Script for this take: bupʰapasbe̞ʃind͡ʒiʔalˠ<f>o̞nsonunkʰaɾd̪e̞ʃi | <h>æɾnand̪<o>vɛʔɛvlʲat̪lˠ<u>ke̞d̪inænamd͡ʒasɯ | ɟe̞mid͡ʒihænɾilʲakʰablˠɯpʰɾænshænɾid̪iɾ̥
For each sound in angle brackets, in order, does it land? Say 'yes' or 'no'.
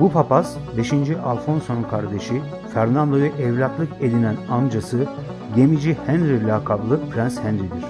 yes, no, yes, no

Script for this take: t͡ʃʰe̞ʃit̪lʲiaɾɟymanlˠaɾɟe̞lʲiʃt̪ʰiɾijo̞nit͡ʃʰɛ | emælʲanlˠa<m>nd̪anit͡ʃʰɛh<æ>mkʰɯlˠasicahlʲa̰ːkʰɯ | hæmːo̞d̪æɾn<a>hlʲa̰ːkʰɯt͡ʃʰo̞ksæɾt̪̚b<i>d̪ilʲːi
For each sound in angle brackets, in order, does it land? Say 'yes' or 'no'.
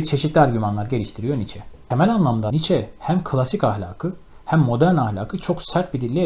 yes, yes, yes, yes

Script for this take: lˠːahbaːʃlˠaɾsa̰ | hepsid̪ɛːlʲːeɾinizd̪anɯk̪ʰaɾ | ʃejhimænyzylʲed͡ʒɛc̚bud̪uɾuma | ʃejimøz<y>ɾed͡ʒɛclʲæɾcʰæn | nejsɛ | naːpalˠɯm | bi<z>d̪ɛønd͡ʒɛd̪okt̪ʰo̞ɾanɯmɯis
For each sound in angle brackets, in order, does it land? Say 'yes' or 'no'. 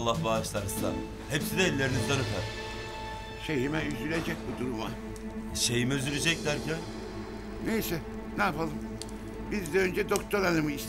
yes, yes

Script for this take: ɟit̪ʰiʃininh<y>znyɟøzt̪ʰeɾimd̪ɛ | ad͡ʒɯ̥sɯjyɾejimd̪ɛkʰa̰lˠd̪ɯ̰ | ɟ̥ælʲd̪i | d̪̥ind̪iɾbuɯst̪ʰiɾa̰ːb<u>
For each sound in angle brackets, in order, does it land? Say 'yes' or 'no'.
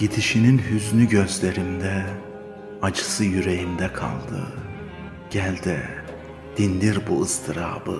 yes, no

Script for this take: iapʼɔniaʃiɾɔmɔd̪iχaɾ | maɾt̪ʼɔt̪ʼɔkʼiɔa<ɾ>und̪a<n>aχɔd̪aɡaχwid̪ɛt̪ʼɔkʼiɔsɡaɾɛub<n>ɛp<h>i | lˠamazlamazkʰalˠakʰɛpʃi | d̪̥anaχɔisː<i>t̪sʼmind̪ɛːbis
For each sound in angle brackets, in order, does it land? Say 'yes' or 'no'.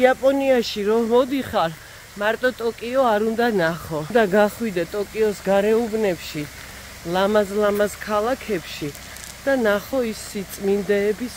yes, yes, yes, no, yes

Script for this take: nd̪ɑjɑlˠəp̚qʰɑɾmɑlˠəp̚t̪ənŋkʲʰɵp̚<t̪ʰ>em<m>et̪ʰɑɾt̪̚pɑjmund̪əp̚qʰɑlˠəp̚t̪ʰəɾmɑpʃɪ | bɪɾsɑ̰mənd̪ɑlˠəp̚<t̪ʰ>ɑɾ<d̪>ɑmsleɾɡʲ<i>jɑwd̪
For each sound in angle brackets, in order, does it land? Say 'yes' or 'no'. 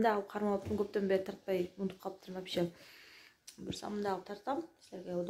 no, no, yes, no, no

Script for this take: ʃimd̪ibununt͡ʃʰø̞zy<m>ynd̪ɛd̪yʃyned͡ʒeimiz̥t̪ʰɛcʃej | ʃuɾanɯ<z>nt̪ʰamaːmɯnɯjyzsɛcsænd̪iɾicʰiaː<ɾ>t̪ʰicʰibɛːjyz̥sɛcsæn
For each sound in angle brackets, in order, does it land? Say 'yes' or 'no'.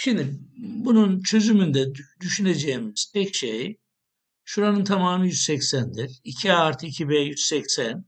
yes, no, yes

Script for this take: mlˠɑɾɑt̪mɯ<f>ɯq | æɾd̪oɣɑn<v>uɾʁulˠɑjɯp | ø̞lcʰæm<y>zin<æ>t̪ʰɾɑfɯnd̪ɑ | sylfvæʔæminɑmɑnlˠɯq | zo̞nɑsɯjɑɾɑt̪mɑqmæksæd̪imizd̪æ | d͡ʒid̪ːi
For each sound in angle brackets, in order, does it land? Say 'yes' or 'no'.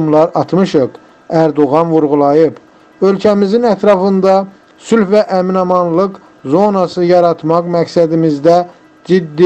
no, yes, no, yes

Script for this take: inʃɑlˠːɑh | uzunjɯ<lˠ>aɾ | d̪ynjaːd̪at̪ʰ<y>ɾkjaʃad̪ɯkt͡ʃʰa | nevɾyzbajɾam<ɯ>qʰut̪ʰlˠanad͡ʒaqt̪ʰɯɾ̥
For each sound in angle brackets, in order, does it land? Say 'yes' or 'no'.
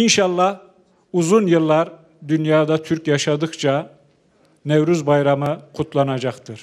no, yes, yes

